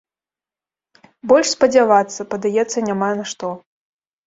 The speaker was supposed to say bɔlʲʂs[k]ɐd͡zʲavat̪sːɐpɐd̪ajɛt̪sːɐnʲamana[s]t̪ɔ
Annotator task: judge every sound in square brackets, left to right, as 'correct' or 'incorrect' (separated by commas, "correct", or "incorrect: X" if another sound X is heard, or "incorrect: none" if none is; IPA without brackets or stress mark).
incorrect: p, incorrect: ʂ